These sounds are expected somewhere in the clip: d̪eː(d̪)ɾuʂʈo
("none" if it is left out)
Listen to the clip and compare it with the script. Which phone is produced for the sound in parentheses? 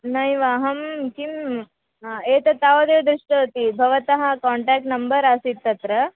d̪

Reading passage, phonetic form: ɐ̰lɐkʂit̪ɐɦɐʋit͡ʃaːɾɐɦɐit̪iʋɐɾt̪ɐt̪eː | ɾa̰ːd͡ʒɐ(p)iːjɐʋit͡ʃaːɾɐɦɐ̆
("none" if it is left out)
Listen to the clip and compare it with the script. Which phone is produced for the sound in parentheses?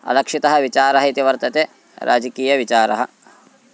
k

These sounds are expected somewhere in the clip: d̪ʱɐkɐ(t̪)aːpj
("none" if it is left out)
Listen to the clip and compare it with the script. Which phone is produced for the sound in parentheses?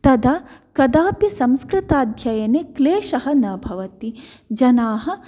d̪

